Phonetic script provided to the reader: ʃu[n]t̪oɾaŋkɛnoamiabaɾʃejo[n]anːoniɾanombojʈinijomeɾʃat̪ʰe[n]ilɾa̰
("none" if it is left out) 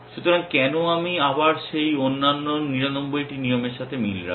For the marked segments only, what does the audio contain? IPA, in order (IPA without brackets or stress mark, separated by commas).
none, nː, m